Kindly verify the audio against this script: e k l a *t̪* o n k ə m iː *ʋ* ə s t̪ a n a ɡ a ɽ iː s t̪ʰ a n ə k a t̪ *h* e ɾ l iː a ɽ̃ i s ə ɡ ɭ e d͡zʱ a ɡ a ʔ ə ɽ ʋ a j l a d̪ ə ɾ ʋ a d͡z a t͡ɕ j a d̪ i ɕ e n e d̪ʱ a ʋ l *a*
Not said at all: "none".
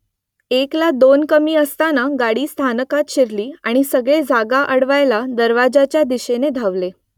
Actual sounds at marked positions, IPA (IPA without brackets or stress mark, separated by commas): d̪, none, ɕ, e